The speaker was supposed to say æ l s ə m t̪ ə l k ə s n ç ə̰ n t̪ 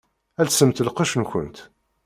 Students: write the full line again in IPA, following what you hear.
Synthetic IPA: æ l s ə m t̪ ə l q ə ʃ n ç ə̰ n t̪

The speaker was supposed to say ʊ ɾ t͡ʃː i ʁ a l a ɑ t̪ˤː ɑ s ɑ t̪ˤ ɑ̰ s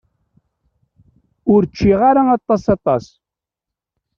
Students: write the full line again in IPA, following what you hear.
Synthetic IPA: ʊ ɾ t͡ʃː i ʁ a ɾ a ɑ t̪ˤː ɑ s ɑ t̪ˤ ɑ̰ s

